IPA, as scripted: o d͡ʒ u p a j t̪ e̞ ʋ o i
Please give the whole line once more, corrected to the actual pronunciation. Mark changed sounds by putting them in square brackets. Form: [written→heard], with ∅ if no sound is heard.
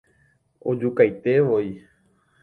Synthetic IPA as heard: o d͡ʒ u [p→k] a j t̪ e̞ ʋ o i